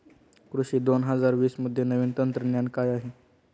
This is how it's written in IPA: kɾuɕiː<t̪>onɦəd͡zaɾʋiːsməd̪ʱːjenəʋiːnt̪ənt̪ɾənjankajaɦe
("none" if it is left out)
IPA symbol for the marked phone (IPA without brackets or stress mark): d̪